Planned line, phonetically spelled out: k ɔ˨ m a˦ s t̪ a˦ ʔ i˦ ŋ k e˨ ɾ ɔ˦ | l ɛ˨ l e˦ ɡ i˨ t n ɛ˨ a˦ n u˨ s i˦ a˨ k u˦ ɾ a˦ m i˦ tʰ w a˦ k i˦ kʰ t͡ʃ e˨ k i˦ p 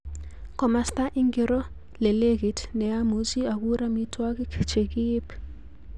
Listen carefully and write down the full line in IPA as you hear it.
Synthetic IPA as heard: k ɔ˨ m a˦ s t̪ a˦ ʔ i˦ ŋ ɡ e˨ ɾ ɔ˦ | l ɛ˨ l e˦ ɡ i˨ t n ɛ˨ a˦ m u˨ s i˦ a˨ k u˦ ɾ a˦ m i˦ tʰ w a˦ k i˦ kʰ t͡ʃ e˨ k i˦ p